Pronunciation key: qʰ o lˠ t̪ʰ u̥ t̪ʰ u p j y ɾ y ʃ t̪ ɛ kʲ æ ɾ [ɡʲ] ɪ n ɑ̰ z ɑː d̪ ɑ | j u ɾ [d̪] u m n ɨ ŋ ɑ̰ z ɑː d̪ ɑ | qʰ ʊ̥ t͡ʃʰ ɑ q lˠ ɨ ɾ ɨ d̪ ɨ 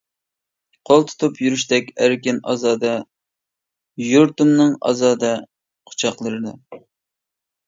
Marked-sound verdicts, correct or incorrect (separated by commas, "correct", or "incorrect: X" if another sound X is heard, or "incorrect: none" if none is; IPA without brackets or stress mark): incorrect: kʲ, incorrect: t̪